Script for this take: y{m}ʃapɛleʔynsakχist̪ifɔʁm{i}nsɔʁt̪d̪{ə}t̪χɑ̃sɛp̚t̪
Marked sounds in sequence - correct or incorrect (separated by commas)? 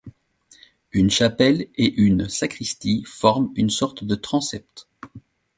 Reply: incorrect, incorrect, correct